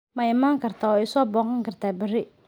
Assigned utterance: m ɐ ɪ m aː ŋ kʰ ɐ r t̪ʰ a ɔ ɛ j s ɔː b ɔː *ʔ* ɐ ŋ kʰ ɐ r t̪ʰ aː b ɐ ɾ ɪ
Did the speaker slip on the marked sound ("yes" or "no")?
yes